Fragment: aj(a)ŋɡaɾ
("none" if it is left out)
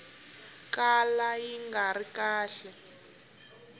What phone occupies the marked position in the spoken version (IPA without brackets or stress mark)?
i